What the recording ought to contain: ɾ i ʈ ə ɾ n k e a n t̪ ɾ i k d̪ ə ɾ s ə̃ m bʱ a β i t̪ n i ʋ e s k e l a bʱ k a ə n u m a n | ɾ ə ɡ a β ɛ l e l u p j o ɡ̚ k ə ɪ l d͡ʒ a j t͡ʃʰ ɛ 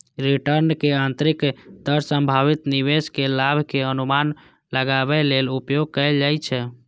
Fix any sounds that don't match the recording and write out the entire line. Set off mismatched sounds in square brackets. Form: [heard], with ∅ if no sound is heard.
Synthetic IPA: ɾ i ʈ ə ɾ n k e a n t̪ ɾ i k d̪ ə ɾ s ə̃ m bʱ a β i t̪ n i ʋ e s k e l a bʱ k [e] ə n u m a n | [l] ə ɡ a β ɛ l e l u p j o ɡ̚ k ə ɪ l d͡ʒ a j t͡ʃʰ ɛ